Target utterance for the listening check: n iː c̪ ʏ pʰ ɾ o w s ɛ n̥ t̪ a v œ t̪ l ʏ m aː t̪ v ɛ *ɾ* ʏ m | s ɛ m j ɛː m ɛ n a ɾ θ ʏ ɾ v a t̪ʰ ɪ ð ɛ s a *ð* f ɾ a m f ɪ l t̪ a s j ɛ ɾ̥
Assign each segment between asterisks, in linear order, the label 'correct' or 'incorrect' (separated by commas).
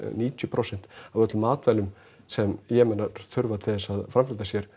incorrect, correct